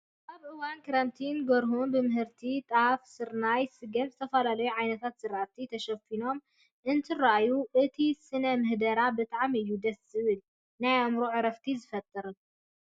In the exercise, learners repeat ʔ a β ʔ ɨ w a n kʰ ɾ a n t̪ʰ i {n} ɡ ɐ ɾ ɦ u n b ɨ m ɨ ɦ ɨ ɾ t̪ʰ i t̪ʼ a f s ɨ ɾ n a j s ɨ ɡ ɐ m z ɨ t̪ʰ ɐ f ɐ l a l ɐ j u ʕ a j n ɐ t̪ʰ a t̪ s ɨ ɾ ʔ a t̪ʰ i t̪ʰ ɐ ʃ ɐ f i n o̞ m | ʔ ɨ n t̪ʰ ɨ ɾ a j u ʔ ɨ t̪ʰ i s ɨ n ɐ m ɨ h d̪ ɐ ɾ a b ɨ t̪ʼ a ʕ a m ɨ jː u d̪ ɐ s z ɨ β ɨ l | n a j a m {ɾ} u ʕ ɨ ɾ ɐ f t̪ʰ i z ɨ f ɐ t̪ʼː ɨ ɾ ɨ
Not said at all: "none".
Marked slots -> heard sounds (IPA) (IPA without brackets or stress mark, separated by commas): n, ɾ